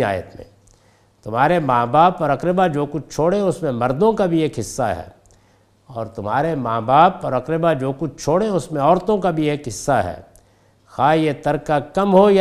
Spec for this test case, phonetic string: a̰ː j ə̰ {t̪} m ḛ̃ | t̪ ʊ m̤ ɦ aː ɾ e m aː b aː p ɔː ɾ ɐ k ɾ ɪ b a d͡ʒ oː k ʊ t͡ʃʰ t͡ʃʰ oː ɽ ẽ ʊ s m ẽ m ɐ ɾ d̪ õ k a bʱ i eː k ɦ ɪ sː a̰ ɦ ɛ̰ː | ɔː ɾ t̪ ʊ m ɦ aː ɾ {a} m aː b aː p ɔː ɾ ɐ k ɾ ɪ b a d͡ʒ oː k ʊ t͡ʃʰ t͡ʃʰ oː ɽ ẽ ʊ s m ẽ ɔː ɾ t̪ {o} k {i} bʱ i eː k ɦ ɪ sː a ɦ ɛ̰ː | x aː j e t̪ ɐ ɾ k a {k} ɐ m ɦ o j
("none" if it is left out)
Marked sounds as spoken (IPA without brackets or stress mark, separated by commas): t̪, e, õ, a, k